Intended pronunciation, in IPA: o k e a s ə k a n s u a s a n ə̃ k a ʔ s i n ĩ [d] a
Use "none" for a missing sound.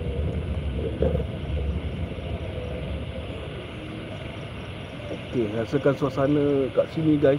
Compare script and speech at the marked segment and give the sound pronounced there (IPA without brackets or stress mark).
ɡ